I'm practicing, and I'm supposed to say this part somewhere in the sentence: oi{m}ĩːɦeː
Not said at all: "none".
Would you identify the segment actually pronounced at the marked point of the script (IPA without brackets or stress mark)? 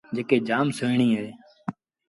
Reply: ɳ